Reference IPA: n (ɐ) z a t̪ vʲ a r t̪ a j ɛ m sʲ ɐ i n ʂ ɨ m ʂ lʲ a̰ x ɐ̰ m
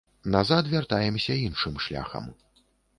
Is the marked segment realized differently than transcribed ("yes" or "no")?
yes